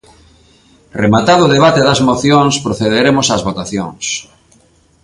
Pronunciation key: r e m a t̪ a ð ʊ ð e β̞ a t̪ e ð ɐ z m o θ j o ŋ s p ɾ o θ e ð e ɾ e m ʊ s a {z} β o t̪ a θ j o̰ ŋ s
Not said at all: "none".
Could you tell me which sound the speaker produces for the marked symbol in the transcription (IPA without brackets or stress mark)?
z